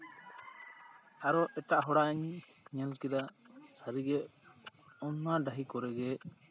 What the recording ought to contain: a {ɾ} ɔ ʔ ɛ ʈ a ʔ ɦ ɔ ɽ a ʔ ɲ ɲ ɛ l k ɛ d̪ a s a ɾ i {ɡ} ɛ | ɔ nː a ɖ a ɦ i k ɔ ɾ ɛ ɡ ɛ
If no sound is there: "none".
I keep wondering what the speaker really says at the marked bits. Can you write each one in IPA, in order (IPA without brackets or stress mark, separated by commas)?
ɾ, ɡ